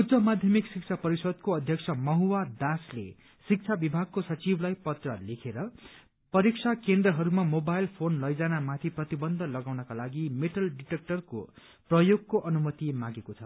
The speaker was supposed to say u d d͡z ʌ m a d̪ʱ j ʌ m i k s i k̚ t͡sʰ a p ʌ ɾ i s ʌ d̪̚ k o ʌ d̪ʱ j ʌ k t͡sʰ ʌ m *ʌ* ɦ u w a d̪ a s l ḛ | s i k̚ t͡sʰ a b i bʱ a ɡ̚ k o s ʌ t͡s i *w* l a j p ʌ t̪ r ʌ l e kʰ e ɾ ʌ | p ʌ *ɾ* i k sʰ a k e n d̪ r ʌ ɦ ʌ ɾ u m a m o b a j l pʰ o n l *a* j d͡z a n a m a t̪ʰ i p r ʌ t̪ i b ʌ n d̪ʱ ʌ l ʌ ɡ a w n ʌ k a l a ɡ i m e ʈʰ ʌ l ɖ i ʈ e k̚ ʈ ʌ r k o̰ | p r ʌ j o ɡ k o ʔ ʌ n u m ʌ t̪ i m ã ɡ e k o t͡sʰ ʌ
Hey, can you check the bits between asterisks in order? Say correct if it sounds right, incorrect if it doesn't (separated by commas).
correct, incorrect, correct, incorrect